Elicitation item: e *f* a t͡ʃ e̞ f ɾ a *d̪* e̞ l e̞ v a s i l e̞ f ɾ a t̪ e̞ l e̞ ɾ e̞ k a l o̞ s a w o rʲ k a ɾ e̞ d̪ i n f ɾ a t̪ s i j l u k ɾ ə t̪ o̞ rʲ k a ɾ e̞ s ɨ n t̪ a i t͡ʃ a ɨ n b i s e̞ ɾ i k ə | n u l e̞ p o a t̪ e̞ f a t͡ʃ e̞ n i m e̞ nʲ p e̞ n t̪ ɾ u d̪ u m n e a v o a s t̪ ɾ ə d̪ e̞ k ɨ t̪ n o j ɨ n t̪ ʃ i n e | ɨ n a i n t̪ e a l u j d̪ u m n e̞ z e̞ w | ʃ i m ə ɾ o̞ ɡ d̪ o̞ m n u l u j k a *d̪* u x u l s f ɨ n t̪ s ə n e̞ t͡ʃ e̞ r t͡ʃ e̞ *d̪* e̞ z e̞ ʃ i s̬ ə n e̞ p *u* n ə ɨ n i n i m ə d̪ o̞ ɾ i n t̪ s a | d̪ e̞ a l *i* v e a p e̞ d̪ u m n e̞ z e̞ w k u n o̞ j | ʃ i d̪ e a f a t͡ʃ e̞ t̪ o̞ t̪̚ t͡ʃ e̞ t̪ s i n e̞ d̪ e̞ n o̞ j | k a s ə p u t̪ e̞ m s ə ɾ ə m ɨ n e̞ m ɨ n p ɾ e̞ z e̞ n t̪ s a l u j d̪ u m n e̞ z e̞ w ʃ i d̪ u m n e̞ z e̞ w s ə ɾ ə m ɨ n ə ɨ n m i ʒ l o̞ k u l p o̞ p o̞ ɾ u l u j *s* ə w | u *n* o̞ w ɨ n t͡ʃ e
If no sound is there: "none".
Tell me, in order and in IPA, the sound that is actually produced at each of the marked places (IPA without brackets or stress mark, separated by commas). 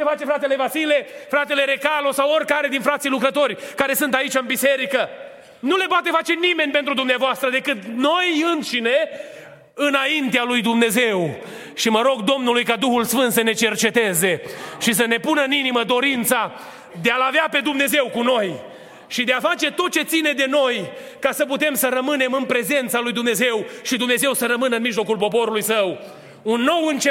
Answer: f, t̪, d̪, t̪, u, a, s, nː